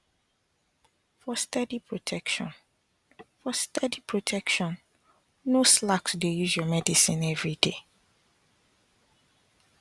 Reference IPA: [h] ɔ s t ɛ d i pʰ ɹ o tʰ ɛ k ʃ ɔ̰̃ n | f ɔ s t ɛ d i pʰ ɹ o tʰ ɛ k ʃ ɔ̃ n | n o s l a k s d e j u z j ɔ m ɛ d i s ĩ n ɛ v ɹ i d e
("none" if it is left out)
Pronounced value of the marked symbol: f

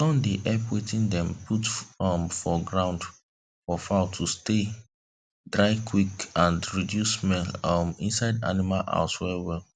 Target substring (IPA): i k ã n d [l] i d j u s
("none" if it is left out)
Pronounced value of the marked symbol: ɹ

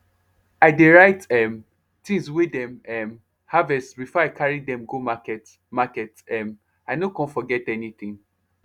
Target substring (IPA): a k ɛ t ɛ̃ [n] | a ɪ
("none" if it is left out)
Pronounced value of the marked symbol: m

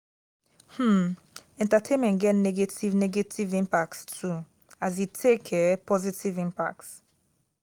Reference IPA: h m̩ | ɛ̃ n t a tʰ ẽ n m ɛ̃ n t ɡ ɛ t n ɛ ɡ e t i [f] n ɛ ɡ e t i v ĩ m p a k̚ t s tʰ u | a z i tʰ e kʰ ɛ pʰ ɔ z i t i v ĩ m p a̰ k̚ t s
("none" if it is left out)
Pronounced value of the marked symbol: v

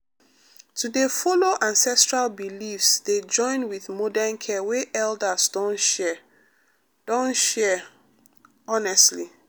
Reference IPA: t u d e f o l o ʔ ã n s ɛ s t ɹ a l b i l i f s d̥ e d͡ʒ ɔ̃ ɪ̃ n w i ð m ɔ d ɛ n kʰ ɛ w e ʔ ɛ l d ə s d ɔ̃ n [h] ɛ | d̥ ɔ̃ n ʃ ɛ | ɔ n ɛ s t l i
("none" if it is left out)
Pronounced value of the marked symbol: ʃ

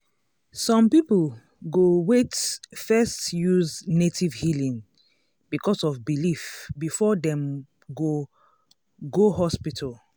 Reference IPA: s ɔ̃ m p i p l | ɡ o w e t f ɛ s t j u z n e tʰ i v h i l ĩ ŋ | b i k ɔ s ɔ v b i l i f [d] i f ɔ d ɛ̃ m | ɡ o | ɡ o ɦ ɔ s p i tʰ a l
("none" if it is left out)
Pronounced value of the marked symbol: b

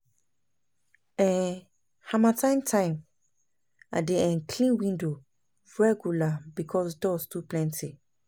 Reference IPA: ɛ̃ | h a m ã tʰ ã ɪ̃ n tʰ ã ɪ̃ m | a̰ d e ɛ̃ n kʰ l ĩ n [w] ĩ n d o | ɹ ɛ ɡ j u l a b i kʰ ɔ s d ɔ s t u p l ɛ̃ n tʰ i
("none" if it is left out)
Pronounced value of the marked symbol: w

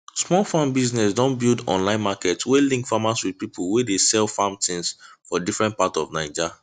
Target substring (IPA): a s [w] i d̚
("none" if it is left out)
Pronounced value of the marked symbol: w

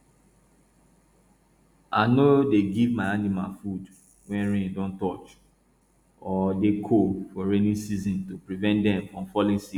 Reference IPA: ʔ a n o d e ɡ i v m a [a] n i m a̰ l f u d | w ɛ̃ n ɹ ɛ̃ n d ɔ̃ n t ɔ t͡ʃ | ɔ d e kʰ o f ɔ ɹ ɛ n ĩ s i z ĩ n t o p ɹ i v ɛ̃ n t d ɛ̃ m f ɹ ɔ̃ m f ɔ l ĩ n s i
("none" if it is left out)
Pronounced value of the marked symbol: a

